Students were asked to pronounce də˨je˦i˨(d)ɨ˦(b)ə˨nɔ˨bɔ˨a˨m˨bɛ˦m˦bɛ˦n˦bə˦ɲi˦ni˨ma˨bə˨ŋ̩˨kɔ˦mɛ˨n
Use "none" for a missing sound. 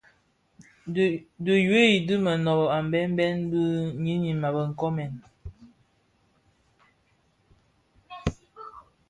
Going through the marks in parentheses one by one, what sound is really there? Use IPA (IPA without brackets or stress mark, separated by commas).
d, m